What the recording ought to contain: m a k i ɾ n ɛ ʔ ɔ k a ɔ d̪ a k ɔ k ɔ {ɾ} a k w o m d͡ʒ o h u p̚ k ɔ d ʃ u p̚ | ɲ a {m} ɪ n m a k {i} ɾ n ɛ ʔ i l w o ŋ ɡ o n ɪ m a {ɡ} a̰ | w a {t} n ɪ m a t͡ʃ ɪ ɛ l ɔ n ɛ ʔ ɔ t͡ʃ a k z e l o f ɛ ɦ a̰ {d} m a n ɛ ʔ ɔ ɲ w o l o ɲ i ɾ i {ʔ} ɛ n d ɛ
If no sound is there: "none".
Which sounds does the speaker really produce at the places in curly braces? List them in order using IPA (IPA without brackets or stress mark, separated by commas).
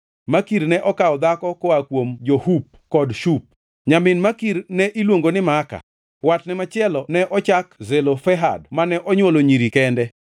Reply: none, m, i, k, t, d, k